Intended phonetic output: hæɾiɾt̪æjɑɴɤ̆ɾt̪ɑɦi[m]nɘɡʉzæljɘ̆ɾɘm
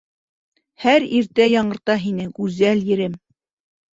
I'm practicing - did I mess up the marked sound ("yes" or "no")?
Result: yes